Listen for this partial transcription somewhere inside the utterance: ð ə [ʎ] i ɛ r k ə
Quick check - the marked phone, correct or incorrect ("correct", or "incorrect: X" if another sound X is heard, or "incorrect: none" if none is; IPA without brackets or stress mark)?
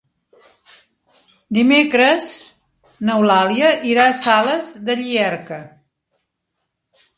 correct